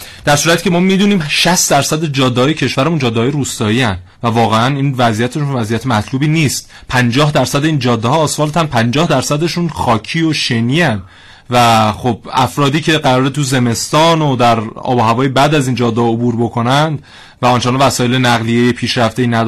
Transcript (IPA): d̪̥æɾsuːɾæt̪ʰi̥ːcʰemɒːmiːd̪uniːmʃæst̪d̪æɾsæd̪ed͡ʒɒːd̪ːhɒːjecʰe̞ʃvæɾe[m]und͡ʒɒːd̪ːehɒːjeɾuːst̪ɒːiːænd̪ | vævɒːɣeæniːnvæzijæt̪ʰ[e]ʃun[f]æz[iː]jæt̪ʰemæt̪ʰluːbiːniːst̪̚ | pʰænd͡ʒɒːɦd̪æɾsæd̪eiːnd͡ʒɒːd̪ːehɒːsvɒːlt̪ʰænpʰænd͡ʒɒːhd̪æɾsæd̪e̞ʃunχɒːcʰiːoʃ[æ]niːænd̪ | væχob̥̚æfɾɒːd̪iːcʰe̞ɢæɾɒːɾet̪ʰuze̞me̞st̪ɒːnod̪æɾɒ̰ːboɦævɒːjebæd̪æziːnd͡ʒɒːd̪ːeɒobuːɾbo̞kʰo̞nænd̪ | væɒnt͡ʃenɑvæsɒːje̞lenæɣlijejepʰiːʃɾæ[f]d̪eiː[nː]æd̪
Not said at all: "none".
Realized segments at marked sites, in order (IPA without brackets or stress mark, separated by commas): m, e, v, i, e, f, n